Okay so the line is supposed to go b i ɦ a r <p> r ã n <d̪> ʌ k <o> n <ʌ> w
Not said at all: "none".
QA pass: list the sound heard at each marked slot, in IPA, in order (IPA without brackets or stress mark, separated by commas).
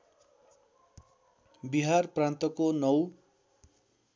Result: p, t̪, o, ʌ